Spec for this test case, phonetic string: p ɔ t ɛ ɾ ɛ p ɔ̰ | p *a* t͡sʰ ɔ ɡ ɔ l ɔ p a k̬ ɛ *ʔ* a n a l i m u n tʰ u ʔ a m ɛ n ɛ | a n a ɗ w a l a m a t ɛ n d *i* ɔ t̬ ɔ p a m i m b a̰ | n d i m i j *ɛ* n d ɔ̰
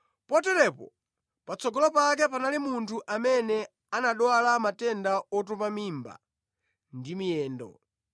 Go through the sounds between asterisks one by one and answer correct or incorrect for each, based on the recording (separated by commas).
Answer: correct, incorrect, incorrect, incorrect